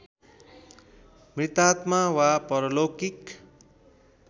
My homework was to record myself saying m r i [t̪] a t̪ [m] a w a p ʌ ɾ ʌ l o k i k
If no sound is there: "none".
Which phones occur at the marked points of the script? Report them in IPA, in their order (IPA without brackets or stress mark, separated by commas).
t̪, m